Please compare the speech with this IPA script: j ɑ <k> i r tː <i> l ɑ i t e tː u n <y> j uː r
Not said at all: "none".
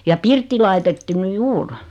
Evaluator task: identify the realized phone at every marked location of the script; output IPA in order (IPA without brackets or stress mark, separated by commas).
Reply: p, i, y